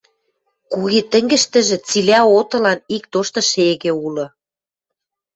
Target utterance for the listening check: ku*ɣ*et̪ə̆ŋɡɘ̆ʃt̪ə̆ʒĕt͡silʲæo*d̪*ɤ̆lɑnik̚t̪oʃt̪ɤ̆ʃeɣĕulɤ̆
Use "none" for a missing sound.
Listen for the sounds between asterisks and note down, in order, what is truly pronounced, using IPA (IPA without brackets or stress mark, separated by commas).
ɣ, t̪